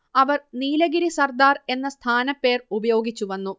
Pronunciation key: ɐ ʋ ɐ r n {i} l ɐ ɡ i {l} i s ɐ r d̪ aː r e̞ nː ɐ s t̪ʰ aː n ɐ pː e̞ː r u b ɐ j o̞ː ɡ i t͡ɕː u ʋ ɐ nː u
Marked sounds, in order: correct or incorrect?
incorrect: iː, incorrect: ɾ

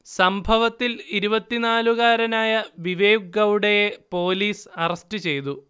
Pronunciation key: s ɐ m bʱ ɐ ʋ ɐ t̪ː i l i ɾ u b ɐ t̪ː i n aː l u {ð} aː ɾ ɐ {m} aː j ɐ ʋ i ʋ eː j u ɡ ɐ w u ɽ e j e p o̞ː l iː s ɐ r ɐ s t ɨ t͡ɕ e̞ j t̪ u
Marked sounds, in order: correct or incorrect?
incorrect: ɣ, incorrect: n

